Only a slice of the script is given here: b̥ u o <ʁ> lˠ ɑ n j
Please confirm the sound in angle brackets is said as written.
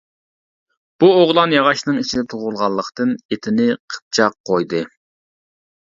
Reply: yes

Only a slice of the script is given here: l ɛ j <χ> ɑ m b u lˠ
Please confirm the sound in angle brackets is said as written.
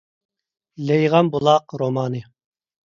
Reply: no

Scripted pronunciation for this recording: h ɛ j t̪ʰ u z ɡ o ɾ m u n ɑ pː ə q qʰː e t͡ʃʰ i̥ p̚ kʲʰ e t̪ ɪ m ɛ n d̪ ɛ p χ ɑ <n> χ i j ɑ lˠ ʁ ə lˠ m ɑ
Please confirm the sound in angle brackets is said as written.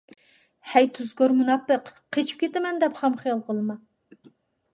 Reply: no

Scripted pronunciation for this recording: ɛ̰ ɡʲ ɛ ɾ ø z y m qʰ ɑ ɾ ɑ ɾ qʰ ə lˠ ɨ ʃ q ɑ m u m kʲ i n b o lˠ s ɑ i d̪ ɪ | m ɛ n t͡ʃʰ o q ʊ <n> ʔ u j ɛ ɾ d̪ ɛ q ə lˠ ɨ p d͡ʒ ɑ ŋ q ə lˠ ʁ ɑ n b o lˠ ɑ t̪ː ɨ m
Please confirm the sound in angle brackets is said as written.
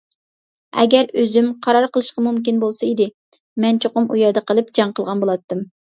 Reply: no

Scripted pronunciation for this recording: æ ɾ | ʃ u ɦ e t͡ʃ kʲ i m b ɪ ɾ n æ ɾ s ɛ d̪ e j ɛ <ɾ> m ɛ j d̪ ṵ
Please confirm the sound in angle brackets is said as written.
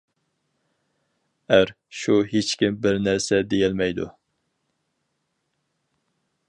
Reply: no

